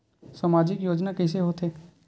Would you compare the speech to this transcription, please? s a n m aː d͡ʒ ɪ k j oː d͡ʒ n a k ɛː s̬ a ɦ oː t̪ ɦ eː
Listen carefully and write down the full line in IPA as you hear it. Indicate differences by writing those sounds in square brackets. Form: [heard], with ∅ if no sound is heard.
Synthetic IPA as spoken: s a [∅] m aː d͡ʒ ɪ k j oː d͡ʒ n a k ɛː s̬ [e] ɦ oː t̪ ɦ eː